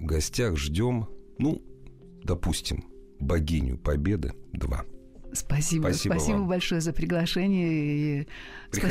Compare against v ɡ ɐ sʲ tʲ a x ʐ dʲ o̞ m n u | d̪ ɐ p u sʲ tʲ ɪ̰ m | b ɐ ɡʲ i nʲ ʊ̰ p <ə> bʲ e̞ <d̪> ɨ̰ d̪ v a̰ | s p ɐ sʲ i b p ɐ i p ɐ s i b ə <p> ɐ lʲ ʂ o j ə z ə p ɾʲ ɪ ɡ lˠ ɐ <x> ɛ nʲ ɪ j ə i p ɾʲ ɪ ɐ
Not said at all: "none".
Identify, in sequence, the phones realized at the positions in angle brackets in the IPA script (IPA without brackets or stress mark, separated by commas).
ɐ, d̪, b, ʂ